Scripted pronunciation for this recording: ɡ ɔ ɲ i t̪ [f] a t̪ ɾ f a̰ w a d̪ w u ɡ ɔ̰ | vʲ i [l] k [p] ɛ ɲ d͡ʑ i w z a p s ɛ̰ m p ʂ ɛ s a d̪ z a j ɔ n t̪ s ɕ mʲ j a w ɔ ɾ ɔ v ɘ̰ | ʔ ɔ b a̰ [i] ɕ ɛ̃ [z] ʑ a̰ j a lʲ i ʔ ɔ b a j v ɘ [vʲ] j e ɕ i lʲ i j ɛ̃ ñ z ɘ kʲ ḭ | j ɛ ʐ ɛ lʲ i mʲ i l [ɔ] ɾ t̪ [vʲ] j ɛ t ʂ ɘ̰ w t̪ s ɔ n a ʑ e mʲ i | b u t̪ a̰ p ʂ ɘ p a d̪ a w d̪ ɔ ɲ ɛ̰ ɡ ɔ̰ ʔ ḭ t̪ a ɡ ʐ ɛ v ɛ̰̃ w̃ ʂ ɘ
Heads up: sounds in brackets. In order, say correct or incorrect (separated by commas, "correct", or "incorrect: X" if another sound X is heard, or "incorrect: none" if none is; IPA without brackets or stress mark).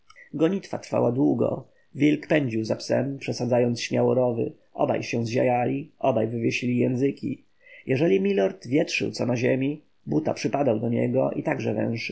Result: correct, correct, correct, incorrect: j, correct, correct, correct, correct